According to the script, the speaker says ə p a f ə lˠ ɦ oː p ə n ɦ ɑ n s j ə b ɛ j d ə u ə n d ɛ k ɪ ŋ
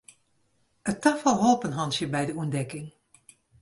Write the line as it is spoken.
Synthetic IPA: ə t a f ə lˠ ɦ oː p ə n ɦ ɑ n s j ə b ɛ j d ə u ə n d ɛ k ɪ ŋ